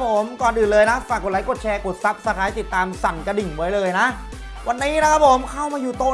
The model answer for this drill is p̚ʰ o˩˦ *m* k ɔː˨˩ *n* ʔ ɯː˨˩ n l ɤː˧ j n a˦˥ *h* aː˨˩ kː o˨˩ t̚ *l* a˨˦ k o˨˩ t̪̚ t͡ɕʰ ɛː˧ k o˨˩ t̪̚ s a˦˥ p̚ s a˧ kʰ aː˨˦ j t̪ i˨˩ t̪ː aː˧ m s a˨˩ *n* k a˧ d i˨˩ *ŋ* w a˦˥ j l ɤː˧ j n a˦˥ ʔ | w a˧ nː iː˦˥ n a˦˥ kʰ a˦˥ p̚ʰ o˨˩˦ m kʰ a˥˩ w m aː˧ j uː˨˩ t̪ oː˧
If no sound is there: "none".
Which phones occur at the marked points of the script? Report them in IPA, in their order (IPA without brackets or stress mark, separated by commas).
m, n, f, l, n, ŋ